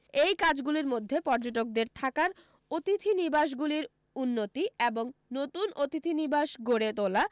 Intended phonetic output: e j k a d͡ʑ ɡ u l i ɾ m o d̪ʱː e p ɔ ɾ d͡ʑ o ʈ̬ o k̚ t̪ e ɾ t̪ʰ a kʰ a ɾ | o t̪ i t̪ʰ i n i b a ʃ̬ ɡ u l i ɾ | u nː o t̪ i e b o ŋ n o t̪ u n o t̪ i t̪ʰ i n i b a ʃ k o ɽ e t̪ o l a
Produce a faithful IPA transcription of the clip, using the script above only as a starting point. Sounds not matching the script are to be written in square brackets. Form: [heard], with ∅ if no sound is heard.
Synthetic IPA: e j k a d͡ʑ ɡ u l i ɾ m o d̪ʱː e p ɔ ɾ d͡ʑ o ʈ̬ o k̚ [d̪] e ɾ t̪ʰ a [k] a ɾ | o t̪ i t̪ʰ i n i b a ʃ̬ ɡ u l i ɾ | u nː o t̪ i e b o ŋ n o t̪ u n o t̪ i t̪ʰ i n i b a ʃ [ɡ] o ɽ e t̪ o l a